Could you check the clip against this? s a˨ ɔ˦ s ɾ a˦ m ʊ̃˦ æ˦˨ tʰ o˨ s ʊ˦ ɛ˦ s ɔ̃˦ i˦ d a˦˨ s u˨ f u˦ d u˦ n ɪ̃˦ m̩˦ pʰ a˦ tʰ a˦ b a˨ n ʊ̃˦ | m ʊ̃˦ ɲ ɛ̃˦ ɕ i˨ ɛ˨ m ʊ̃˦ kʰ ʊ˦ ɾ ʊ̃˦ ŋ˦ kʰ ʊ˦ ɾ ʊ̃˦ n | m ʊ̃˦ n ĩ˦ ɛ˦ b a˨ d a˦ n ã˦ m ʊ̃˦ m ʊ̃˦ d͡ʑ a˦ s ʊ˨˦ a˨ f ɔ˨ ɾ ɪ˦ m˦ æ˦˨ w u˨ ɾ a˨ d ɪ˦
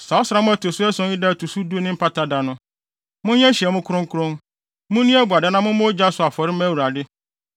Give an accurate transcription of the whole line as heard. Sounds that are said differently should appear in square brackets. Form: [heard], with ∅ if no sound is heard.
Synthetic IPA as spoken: s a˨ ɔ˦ s ɾ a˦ m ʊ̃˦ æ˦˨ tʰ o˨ s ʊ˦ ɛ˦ s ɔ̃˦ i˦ d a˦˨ [t] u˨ [s] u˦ d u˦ n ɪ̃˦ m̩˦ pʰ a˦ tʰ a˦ [d] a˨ n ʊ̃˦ | m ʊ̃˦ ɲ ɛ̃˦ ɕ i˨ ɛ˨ m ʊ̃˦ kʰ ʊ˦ ɾ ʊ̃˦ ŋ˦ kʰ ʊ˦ ɾ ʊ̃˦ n | m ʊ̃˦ n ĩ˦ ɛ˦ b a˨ d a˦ n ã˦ m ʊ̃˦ m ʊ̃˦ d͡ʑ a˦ s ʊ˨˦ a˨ f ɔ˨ ɾ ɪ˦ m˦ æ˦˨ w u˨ ɾ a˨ d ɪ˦

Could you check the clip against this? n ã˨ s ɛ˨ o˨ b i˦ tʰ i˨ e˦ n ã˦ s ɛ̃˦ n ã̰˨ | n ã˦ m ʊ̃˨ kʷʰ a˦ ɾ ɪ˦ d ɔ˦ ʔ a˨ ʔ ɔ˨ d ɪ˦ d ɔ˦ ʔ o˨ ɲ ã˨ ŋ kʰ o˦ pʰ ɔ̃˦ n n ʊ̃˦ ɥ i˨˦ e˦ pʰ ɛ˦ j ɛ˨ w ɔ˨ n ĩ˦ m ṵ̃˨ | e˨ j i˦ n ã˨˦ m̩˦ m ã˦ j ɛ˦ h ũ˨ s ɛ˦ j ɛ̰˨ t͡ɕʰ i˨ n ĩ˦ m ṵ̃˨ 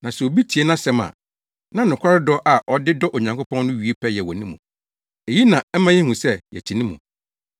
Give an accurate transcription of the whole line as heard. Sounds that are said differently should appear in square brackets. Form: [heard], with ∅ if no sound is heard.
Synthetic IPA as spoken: n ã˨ s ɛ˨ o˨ b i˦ tʰ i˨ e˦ n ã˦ s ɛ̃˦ [m] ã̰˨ | n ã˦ [n] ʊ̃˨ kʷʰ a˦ ɾ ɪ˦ d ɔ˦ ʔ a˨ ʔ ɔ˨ d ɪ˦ d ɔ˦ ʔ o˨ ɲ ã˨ ŋ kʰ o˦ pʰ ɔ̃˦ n n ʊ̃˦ ɥ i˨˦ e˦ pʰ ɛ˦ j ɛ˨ w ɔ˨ n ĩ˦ m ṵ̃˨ | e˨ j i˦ n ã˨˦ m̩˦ m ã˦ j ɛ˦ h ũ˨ s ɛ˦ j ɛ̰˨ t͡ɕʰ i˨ n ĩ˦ m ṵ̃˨

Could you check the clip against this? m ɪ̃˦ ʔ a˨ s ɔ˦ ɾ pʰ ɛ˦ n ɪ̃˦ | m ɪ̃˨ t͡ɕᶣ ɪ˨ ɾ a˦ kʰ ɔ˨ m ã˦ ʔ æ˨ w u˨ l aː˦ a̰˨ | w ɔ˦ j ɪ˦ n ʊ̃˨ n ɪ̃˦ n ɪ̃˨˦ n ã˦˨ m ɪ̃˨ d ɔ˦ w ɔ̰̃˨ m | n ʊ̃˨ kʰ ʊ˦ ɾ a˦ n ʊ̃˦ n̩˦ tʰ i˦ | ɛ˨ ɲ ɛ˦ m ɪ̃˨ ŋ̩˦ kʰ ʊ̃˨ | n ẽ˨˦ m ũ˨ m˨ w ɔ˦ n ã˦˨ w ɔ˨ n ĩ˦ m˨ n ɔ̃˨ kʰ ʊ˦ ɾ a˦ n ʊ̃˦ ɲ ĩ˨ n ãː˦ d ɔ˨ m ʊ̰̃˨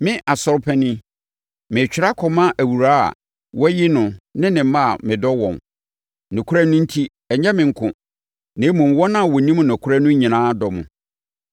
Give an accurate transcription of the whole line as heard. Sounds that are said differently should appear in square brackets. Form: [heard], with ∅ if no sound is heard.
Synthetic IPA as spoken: m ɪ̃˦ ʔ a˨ s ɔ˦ ɾ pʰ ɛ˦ n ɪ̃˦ | m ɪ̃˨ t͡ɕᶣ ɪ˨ ɾ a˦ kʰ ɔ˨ m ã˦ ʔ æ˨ w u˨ [ɾ] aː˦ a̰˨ | w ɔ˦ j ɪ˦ n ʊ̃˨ n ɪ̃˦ n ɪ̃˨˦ [m] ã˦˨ m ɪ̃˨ d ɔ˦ w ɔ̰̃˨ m | n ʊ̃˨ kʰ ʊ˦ ɾ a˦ n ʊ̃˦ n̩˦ tʰ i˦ | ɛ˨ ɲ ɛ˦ m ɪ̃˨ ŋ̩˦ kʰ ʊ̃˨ | n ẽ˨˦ m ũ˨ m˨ w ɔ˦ n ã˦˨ w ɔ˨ n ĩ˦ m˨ n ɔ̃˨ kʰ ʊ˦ ɾ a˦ n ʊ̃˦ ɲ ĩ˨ n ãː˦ d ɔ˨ m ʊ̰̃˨

